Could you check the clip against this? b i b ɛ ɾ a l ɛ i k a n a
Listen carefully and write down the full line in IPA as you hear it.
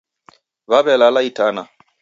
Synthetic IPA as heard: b a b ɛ l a l a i t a n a